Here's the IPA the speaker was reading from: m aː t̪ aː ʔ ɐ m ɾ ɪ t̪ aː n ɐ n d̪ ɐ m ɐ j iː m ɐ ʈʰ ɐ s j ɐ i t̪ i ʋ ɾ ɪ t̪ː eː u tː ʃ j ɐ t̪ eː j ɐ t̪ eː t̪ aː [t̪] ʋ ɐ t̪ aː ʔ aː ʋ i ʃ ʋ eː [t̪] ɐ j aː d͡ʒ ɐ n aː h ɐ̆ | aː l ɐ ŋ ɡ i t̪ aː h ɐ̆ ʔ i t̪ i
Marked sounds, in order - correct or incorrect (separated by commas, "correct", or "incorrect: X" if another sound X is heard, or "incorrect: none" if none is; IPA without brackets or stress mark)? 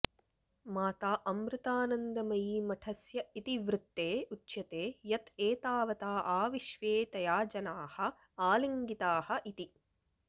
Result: incorrect: none, correct